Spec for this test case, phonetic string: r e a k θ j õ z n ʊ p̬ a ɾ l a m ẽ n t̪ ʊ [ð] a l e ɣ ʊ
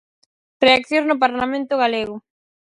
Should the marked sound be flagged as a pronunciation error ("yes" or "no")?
yes